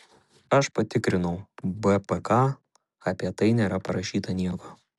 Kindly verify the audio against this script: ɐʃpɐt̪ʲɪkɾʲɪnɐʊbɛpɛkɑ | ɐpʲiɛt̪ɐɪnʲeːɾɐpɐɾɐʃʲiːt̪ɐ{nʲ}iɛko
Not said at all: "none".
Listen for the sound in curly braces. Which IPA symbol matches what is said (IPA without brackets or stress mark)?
nʲ